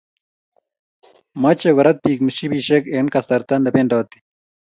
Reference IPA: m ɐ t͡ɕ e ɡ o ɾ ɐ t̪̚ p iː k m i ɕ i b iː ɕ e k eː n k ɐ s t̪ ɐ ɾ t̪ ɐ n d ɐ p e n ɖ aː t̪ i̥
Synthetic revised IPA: m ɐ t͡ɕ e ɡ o ɾ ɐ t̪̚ p iː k m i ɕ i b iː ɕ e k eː n k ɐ s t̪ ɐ ɾ t̪ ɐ n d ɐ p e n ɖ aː t̪ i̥